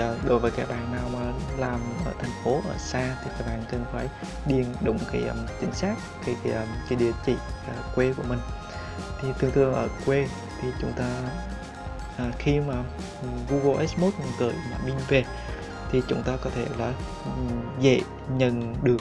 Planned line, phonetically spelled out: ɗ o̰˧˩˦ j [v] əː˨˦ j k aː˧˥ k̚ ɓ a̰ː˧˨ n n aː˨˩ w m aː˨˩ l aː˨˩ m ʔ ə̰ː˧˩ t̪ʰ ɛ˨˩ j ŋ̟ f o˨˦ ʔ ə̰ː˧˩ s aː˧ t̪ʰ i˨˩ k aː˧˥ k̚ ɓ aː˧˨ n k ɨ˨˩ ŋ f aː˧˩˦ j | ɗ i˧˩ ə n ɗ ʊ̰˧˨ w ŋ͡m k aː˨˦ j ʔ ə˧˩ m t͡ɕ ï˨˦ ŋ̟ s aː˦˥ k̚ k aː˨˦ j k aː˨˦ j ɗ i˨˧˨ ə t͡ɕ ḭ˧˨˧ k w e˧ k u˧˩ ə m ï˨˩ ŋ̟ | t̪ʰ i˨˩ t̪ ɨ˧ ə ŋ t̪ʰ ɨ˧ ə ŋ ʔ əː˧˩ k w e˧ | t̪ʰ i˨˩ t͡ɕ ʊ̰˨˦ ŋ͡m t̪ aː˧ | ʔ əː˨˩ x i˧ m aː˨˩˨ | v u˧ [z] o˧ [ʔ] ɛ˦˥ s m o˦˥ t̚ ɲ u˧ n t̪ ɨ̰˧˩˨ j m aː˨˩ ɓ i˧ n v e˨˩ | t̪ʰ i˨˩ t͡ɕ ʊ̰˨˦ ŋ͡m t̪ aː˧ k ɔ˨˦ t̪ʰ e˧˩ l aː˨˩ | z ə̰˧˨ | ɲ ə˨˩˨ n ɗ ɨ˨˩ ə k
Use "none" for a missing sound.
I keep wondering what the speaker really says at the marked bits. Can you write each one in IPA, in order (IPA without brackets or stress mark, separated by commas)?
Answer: v, ɣ, ʔ